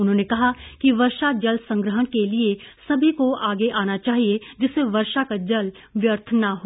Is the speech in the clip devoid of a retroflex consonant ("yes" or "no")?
yes